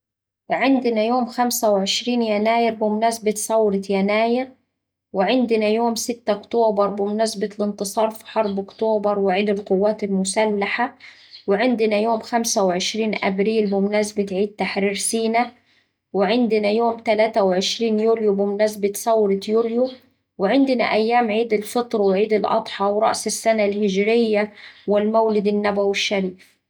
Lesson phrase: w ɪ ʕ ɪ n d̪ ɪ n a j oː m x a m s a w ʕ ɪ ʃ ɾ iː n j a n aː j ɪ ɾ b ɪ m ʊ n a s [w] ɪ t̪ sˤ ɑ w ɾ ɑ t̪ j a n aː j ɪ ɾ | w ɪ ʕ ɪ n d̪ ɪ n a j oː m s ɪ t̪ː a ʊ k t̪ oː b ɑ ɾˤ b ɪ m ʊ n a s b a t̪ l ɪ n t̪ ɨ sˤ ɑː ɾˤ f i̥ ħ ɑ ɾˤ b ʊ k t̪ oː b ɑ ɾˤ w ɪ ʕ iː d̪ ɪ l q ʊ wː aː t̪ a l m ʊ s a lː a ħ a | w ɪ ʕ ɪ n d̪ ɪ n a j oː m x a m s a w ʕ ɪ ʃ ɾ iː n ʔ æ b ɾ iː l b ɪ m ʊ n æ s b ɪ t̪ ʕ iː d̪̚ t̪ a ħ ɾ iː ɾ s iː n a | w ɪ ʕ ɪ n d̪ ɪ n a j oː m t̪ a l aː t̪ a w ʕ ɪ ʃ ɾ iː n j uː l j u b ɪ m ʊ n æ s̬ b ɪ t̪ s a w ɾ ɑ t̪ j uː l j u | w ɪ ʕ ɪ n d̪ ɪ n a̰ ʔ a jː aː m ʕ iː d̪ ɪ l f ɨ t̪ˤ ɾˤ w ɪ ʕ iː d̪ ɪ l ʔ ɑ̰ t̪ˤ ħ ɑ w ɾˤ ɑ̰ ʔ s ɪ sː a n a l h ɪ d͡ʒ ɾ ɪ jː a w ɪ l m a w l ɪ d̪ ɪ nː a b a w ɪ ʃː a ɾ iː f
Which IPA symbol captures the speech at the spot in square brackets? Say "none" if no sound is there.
b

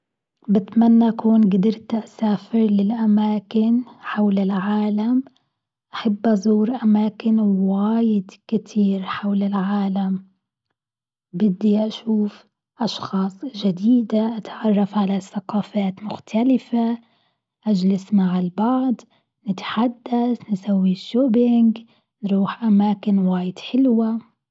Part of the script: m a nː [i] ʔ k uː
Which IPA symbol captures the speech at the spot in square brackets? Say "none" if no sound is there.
a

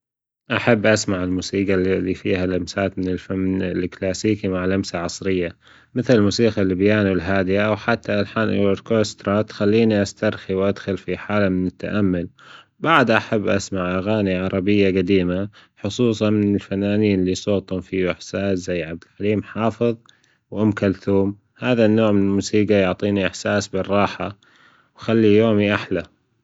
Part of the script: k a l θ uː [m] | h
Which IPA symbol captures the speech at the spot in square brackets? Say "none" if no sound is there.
m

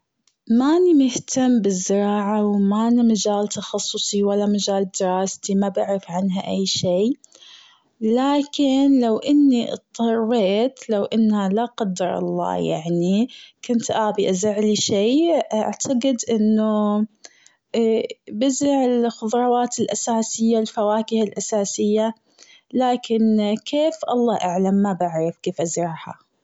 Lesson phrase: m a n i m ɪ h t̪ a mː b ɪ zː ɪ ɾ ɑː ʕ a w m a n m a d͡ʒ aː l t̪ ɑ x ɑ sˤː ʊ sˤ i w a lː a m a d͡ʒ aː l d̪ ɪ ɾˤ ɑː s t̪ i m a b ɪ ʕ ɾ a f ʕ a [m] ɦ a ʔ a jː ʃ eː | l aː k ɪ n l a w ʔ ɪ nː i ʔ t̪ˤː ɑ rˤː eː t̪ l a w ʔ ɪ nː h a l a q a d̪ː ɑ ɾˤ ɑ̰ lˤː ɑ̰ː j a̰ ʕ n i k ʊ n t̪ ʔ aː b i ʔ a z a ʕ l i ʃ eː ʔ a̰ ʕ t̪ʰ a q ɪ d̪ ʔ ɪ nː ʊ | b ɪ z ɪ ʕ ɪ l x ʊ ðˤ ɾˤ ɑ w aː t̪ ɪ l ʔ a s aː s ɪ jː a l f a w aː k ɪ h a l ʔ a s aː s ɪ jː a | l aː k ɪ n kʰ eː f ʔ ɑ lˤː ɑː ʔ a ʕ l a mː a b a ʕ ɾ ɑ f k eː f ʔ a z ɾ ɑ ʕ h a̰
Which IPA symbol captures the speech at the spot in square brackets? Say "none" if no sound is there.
n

